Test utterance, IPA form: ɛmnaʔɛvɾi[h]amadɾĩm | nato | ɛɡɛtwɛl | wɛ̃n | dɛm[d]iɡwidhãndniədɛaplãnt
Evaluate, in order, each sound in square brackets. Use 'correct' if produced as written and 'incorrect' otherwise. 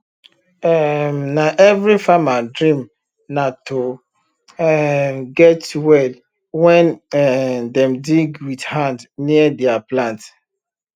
incorrect, correct

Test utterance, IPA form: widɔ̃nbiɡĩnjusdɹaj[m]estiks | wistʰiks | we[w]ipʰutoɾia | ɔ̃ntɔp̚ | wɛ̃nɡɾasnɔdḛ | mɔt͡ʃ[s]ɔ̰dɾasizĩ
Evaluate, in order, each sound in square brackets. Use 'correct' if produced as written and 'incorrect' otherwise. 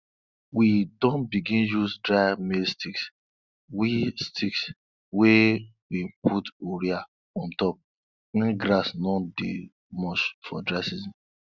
correct, correct, incorrect

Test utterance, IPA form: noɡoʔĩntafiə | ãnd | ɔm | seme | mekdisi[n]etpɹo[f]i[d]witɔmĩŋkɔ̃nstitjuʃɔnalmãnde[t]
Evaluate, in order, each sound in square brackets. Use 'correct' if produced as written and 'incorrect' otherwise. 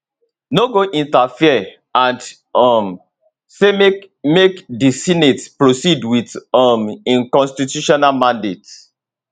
correct, incorrect, correct, correct

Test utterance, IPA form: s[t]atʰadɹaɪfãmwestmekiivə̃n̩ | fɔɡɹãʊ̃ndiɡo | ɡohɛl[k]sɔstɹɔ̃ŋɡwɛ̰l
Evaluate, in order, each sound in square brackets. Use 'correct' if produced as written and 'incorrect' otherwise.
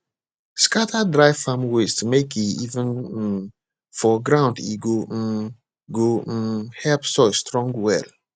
incorrect, incorrect

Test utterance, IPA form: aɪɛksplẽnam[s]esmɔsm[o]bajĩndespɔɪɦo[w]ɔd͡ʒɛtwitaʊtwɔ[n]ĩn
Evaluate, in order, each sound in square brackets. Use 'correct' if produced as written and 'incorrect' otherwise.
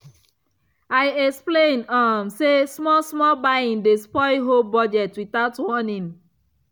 correct, incorrect, incorrect, correct

